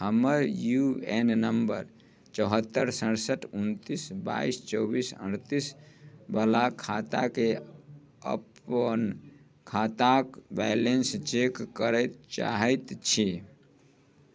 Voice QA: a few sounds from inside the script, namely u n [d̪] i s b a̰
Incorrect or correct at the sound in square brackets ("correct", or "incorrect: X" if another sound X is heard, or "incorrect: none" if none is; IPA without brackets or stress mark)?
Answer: incorrect: t̪